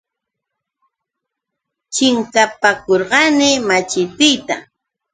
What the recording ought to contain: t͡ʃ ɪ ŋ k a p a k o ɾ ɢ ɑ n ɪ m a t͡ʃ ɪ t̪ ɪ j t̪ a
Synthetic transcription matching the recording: t͡ʃ ɪ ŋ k a p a k o ɾ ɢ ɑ n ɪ m a t͡ʃ ɪ t̪ ɪ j t̪ a